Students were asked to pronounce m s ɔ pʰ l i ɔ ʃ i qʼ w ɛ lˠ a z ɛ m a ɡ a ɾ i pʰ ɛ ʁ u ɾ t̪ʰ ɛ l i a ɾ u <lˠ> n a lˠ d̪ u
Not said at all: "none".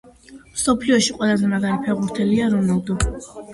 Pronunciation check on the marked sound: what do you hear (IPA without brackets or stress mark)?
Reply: none